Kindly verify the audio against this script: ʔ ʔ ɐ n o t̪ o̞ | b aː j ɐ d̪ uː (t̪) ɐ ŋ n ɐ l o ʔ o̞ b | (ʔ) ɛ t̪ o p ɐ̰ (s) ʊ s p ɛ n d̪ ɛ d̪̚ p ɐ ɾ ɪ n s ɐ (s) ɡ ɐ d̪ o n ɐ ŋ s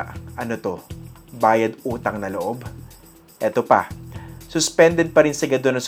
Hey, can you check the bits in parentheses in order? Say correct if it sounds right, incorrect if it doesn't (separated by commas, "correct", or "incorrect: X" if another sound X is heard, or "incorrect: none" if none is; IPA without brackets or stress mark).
correct, correct, correct, incorrect: none